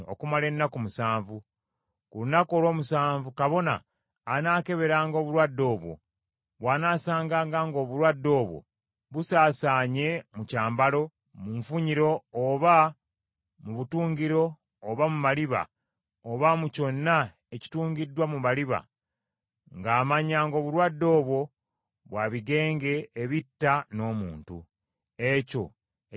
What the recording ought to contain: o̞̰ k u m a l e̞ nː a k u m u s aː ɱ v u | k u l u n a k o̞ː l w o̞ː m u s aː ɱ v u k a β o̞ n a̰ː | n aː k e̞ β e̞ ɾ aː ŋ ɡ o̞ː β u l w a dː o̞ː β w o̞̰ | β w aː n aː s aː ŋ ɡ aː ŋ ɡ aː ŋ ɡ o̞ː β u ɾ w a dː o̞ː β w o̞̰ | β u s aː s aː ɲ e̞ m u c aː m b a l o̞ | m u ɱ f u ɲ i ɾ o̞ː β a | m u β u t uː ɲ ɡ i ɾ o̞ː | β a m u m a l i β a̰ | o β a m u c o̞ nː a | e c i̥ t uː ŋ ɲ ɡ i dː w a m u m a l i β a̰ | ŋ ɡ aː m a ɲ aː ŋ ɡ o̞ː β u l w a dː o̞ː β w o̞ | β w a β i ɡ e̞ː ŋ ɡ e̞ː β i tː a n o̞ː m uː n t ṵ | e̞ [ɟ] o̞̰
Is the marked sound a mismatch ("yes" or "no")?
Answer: yes